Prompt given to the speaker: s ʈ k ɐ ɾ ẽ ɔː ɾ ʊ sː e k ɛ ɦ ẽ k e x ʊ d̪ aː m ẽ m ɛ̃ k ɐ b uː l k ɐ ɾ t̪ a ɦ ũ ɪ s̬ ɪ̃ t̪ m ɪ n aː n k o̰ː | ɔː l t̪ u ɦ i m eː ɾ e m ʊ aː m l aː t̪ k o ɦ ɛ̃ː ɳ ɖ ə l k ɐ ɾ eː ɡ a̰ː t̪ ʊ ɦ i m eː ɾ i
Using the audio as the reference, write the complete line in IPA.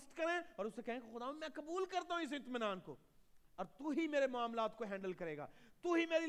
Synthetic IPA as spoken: s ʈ k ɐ ɾ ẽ ɔː ɾ ʊ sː e k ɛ ɦ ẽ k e x ʊ d̪ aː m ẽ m ɛ̃ k ɐ b uː l k ɐ ɾ t̪ a ɦ ũ ɪ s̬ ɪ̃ t̪ m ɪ n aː n k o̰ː | ɔː ɾ t̪ u ɦ i m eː ɾ e m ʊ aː m l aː t̪ k o ɦ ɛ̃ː ɳ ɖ ə l k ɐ ɾ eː ɡ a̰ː t̪ u ɦ i m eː ɾ i